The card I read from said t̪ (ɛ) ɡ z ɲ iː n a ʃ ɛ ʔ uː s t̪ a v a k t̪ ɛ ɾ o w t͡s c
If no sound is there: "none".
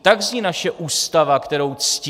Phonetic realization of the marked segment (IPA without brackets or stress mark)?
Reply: a